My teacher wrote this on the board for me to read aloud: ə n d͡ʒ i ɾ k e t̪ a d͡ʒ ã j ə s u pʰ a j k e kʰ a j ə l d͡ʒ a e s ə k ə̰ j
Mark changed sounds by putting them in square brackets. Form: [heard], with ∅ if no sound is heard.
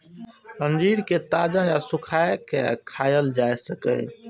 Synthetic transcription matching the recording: ə n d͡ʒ i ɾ k e t̪ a d͡ʒ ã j [a] s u [kʰ] a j k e kʰ a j ə l d͡ʒ a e s ə k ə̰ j